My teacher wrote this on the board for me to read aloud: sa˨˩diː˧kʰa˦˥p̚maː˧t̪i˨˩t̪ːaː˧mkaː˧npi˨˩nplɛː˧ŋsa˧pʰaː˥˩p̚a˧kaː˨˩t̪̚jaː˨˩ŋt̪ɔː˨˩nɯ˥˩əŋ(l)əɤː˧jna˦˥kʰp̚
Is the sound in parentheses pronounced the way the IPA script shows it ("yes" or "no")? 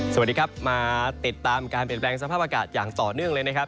yes